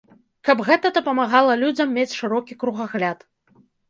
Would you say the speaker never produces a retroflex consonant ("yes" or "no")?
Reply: no